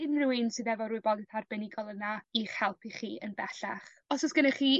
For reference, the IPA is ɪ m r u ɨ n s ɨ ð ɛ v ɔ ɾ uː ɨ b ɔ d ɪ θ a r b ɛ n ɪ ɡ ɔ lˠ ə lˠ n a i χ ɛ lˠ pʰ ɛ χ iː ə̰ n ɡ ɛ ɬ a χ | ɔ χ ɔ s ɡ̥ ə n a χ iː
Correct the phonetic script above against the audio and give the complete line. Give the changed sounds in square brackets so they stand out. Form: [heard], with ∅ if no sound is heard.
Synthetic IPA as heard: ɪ [n] r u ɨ n s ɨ ð ɛ v ɔ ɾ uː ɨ b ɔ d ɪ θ a r b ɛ n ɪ ɡ ɔ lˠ ə [∅] n a i χ ɛ lˠ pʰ [i] χ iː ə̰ n [b] ɛ ɬ a χ | ɔ [s] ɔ s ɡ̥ ə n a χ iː